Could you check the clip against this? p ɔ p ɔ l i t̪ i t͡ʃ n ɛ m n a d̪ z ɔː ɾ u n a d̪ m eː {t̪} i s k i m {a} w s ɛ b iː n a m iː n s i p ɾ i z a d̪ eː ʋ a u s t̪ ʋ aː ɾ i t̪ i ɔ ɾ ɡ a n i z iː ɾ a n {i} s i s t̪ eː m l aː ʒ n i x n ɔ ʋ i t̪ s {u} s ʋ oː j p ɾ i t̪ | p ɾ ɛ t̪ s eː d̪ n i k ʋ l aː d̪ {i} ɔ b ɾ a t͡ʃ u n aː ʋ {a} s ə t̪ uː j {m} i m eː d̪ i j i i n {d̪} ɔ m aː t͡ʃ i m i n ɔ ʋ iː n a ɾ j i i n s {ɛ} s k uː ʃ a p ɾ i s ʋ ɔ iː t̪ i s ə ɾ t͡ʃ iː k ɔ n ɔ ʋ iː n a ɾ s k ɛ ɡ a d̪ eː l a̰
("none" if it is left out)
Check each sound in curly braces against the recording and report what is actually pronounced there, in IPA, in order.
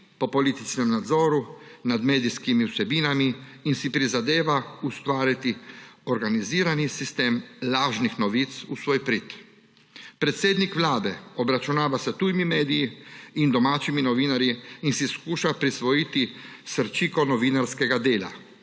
d̪, i, i, u, ɛ, a, m, d̪, i

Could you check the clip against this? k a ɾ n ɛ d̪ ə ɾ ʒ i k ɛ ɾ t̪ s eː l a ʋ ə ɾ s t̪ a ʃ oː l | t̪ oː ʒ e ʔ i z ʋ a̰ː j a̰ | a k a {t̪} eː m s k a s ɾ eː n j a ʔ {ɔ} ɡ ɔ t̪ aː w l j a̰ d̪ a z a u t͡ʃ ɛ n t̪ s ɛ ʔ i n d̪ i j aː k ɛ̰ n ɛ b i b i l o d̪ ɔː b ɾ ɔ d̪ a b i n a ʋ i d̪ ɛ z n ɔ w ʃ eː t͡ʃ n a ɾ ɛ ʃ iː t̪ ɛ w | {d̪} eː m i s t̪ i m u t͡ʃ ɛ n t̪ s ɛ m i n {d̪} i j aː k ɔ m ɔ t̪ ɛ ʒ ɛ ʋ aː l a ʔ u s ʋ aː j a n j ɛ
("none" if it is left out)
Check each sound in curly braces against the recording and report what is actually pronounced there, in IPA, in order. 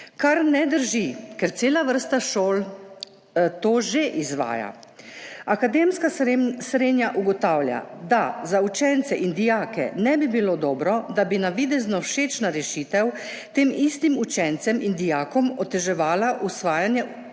d̪, u, t̪, d̪

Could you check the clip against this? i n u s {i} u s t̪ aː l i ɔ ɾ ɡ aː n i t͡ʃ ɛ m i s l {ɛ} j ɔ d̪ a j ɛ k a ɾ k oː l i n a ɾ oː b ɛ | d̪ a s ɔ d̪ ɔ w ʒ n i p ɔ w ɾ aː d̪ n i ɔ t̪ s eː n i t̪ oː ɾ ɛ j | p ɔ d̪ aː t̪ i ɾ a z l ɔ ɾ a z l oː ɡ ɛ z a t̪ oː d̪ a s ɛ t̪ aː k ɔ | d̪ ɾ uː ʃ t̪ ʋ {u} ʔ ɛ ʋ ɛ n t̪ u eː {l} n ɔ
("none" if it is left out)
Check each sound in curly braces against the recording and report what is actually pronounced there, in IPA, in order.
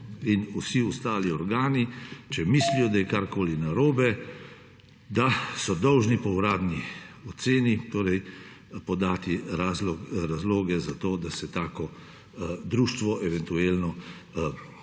i, i, ɔ, l

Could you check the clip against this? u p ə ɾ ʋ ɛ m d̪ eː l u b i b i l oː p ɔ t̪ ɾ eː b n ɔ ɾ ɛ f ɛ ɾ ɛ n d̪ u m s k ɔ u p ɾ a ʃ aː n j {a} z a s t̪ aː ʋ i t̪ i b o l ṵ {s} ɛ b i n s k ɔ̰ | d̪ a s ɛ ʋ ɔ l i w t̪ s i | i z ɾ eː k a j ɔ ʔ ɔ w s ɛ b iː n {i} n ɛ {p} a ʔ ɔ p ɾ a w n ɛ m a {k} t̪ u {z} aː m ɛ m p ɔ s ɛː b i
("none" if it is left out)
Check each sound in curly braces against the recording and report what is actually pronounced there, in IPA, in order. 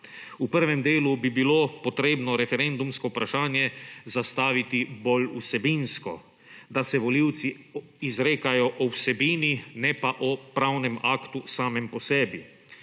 ɛ, s, i, p, k, s

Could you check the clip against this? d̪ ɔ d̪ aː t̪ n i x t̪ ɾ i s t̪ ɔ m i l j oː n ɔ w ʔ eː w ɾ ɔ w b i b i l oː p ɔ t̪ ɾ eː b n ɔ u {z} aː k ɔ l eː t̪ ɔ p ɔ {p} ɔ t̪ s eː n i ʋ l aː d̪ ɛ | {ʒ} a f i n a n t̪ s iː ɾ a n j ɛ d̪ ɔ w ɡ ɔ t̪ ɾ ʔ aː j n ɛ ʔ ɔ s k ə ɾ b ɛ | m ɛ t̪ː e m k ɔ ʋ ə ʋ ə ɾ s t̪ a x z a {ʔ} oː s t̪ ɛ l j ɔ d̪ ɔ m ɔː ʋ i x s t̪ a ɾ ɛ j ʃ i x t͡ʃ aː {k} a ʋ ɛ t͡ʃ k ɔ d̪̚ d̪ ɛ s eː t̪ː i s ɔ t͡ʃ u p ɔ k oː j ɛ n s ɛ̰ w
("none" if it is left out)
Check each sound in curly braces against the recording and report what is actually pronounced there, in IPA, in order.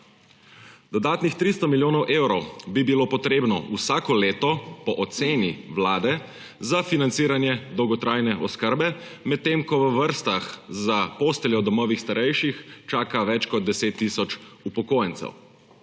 s, ʔ, z, p, k

